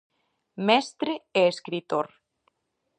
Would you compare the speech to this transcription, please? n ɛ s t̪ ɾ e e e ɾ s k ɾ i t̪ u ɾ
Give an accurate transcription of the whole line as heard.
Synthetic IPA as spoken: m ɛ s t̪ ɾ e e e s k ɾ i t̪ o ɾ